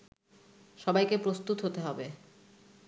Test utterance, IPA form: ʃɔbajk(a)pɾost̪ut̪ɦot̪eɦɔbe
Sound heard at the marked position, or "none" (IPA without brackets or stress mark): e